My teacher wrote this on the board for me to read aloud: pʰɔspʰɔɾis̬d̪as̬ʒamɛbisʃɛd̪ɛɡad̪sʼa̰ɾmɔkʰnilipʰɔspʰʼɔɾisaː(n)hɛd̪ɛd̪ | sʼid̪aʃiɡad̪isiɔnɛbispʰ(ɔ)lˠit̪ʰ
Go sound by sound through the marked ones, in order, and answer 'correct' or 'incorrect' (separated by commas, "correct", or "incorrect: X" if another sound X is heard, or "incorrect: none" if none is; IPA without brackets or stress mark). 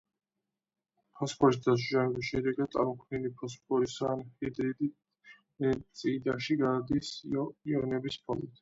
correct, correct